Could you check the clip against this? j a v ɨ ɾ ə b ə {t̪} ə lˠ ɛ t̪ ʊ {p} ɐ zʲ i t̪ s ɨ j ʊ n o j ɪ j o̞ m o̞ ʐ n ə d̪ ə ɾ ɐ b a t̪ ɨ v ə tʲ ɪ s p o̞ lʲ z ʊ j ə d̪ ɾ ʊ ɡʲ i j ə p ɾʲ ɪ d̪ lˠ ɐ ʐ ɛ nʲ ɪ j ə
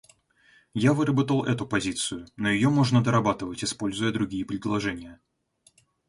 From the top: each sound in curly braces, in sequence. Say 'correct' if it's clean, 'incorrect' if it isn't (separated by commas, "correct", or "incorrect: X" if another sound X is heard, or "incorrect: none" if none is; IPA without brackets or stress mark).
correct, correct